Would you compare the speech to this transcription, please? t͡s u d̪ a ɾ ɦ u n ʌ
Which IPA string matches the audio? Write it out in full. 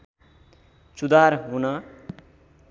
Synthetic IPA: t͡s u d̪ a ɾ ɦ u n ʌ